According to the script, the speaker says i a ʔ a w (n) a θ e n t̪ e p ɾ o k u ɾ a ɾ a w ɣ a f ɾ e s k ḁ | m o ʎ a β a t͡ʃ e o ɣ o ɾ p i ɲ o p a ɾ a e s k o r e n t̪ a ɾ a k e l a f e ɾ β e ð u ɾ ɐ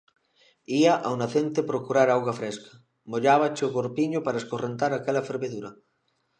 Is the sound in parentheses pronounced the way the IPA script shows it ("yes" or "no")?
yes